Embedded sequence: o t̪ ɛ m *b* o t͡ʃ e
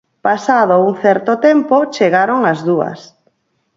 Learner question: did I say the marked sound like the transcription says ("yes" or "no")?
no